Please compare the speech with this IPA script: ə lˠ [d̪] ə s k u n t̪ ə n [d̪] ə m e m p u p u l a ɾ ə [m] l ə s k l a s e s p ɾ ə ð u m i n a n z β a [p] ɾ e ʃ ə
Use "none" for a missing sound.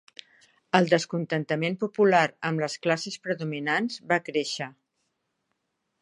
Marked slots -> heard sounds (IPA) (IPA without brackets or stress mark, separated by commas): d̪, t̪, m, k